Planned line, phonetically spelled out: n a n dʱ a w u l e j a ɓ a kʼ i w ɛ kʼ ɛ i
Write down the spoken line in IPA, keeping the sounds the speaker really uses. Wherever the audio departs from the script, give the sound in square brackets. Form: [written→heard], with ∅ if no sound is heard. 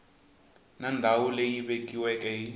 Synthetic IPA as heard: n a n dʱ a w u l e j [a→i] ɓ [a→e] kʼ i w ɛ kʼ ɛ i